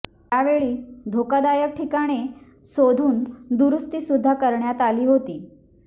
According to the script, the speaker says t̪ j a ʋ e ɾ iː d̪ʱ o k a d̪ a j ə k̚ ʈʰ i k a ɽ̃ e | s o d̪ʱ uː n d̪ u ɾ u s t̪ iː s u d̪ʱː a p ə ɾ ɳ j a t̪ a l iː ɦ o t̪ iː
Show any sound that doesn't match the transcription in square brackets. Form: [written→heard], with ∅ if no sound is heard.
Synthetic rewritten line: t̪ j a ʋ e [ɾ→ɭ] iː d̪ʱ o k a d̪ a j ə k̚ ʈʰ i k a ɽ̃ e | s o d̪ʱ uː n d̪ u ɾ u s t̪ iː s u d̪ʱː a [p→k] ə ɾ ɳ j a t̪ a l iː ɦ o t̪ iː